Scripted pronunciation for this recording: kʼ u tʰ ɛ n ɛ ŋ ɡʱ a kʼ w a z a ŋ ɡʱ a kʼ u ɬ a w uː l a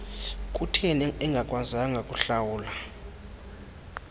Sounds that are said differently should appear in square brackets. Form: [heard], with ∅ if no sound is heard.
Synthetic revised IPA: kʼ u tʰ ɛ n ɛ ŋ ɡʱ a kʼ w a z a ŋ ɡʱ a kʼ u ɬ a w uː l a